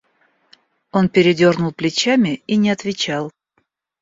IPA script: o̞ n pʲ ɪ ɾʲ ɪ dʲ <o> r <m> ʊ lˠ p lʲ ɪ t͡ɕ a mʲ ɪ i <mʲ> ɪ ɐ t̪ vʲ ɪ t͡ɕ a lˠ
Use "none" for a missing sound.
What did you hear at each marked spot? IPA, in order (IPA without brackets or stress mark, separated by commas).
o, n, nʲ